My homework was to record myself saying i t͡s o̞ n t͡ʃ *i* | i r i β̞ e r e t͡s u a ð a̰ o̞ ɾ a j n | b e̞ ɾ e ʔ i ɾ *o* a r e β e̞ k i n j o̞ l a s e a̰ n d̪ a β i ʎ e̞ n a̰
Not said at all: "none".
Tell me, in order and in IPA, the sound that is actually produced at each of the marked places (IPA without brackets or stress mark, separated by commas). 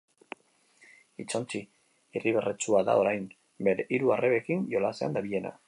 i, u